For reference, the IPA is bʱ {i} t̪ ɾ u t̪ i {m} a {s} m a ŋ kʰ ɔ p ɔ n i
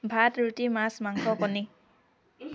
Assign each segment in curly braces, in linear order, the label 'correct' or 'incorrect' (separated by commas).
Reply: incorrect, correct, correct